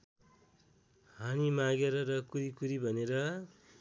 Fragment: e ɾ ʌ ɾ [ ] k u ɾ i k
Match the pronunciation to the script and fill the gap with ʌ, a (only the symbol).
ʌ